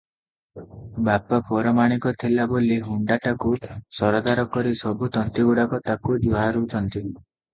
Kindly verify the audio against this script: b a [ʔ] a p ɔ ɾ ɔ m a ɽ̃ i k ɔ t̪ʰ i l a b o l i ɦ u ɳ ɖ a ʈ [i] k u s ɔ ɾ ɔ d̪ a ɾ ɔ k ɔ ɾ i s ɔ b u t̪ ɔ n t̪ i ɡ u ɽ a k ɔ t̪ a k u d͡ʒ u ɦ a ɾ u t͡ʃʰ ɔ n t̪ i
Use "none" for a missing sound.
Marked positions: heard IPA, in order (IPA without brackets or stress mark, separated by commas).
p, a